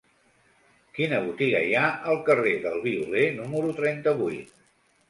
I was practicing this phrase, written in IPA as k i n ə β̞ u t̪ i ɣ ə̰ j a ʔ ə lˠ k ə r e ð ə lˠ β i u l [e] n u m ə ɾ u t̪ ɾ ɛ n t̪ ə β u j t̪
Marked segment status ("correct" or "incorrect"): correct